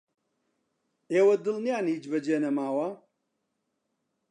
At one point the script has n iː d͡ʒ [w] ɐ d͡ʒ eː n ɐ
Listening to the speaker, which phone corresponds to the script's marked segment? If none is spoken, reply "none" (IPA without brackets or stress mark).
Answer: b